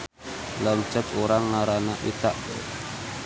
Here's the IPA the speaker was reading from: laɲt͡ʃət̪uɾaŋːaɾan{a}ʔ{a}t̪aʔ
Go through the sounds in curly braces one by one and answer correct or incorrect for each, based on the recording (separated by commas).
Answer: correct, incorrect